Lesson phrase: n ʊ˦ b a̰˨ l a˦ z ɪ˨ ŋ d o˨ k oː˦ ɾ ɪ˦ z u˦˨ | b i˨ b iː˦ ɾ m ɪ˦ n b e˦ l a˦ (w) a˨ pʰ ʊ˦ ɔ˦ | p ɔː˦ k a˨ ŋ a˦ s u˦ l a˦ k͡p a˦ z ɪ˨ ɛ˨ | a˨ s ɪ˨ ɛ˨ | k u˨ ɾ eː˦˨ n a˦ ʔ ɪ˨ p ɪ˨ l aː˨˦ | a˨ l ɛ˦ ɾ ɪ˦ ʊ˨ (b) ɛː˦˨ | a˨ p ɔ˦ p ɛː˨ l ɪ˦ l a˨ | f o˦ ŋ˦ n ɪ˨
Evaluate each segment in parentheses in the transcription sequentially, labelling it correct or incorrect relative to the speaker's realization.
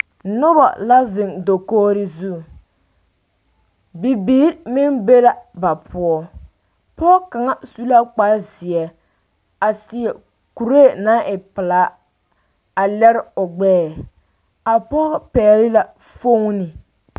incorrect: b, incorrect: ɡ͡b

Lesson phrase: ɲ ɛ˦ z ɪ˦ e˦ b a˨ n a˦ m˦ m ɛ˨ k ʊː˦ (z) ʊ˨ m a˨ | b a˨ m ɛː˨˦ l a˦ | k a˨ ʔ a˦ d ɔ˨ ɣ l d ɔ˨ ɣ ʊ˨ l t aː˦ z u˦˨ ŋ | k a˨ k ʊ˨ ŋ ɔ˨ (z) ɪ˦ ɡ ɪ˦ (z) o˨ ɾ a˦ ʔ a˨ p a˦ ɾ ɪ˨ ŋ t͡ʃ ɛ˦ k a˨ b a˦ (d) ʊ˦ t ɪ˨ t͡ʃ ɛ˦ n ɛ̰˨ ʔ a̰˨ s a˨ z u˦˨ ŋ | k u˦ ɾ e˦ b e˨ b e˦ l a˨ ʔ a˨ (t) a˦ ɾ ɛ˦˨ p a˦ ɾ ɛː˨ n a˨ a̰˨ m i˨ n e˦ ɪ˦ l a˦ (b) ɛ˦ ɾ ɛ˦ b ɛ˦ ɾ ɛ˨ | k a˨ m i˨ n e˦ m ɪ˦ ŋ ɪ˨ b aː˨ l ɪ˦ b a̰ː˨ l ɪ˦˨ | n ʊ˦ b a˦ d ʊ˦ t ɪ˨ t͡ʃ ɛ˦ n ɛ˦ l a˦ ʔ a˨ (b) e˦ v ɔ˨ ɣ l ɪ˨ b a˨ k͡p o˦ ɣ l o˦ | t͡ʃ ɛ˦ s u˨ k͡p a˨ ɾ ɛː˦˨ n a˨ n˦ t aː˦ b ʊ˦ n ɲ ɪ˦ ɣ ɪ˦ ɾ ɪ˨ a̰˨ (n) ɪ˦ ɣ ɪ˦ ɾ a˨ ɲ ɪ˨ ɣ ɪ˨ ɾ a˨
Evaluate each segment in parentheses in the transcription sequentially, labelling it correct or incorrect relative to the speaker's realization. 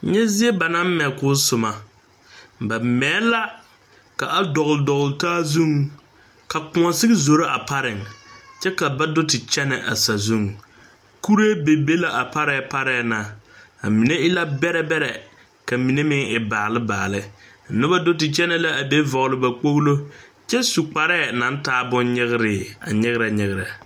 incorrect: s, incorrect: s, correct, correct, incorrect: p, correct, correct, incorrect: ɲ

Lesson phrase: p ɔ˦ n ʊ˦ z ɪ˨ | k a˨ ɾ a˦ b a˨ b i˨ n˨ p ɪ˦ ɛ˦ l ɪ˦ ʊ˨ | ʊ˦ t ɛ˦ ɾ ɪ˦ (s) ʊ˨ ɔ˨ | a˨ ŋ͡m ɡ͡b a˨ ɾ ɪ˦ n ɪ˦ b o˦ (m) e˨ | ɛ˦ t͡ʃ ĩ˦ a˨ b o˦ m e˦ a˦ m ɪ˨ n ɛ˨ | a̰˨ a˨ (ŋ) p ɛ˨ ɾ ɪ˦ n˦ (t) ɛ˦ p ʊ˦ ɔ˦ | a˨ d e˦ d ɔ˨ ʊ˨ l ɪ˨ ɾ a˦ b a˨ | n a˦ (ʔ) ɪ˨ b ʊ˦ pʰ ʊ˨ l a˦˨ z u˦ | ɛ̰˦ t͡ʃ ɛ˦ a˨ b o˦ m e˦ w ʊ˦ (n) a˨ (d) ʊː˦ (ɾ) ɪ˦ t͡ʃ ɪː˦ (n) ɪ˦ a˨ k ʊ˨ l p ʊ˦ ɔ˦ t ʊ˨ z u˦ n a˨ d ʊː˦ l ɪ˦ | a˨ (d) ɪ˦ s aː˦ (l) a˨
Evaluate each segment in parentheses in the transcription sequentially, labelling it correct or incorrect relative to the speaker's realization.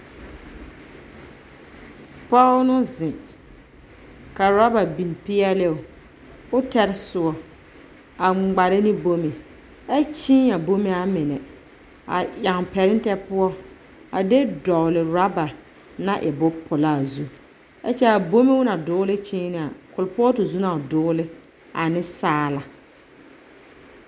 correct, correct, correct, correct, correct, correct, correct, incorrect: l, correct, incorrect: n, correct

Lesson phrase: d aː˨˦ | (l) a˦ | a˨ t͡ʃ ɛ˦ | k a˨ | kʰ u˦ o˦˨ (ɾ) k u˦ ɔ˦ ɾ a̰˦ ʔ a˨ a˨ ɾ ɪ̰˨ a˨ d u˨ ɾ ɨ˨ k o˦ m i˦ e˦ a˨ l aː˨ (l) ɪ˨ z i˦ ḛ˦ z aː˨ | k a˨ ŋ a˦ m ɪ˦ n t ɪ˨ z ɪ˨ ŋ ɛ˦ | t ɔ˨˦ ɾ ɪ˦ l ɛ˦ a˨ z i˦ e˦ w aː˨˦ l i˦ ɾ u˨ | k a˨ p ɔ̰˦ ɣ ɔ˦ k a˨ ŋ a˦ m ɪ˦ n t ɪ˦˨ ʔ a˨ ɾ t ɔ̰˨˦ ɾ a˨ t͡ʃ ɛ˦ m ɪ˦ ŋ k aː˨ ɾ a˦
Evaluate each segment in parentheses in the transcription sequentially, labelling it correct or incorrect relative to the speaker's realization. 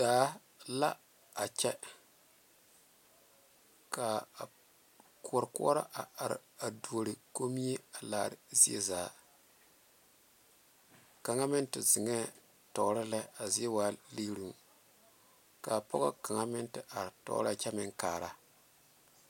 correct, correct, incorrect: ɾ

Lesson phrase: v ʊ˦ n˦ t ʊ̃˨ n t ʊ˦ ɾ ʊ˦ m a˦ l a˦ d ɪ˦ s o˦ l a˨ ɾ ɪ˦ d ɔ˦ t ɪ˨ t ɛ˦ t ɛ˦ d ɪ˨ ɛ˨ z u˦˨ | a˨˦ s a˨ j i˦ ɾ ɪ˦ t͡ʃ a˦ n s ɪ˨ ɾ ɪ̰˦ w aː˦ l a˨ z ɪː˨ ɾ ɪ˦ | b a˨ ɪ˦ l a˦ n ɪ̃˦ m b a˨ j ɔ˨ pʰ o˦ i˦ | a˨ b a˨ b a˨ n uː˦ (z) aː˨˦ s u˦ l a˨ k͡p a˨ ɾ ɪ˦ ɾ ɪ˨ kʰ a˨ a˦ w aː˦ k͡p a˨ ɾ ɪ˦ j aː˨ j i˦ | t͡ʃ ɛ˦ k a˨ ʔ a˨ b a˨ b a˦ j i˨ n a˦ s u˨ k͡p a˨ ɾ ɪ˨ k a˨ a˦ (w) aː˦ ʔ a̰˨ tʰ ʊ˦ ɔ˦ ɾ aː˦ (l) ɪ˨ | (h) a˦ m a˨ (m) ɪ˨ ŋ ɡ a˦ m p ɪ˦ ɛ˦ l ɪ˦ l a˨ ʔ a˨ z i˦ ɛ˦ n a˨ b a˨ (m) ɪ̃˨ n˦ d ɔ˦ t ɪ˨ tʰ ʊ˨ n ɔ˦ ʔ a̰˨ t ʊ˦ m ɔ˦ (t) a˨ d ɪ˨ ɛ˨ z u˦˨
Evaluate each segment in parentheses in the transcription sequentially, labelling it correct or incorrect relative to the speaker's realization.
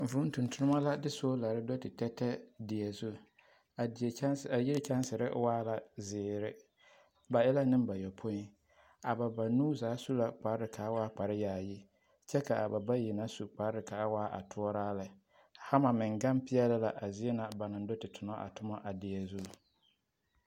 correct, correct, correct, correct, correct, incorrect: n, incorrect: ʔ

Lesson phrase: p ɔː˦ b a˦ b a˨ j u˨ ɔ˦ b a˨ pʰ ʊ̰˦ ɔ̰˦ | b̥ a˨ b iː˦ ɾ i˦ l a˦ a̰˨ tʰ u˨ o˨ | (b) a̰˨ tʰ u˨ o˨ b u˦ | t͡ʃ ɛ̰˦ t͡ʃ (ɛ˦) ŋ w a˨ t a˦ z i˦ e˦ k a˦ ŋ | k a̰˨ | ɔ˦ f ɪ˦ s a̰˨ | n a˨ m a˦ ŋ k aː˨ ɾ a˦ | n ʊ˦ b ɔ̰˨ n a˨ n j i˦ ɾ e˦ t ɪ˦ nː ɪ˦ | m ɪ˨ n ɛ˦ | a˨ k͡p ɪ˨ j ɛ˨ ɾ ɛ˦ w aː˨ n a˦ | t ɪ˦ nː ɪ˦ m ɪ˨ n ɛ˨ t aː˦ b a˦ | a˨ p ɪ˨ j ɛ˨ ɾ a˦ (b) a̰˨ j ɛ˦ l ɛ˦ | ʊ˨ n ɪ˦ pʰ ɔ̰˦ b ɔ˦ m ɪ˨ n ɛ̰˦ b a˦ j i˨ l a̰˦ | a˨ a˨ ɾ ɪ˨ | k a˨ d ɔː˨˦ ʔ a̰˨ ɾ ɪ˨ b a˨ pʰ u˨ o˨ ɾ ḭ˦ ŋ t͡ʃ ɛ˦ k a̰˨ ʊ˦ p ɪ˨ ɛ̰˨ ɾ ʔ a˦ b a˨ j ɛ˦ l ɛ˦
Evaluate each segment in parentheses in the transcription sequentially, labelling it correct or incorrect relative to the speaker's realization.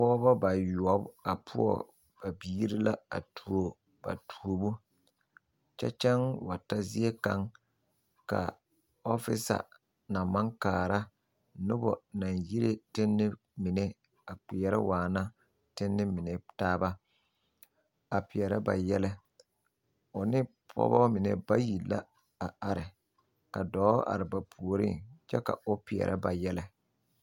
correct, correct, correct

